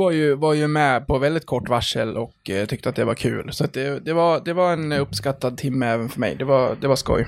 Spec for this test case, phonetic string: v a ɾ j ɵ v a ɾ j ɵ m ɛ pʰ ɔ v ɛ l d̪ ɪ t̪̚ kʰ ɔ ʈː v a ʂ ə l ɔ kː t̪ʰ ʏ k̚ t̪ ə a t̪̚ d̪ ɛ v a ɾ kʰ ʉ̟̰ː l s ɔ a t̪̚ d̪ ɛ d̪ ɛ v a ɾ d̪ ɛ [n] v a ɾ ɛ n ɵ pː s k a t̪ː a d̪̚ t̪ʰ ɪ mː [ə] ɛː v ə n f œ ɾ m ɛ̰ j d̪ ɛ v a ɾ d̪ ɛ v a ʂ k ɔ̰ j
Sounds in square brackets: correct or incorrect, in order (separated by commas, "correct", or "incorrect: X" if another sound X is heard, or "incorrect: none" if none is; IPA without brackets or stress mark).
incorrect: none, correct